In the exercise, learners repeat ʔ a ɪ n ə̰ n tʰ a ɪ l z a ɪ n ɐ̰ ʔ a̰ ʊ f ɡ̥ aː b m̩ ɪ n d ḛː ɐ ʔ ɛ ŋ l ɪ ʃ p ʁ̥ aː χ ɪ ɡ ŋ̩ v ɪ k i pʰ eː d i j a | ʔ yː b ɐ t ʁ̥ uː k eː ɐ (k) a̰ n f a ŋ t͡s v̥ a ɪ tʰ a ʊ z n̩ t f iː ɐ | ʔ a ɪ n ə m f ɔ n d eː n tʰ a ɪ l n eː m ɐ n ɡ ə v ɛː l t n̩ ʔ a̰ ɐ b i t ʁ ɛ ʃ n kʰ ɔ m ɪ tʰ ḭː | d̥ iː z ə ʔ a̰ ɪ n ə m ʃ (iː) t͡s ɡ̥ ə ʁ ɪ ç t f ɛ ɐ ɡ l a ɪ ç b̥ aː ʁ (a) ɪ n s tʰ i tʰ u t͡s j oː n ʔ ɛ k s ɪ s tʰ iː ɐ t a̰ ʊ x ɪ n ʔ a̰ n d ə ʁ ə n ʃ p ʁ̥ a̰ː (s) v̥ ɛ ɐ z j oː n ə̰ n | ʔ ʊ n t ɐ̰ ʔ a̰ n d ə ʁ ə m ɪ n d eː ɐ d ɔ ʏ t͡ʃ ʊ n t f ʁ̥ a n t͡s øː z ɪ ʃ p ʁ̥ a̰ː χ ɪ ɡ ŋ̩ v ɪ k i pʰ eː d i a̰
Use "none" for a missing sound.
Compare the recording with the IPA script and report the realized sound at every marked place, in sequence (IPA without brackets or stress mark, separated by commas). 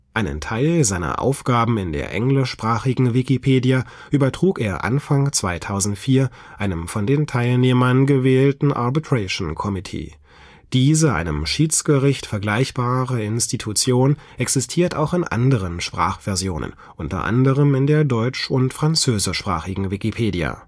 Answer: ʔ, iː, ə, χ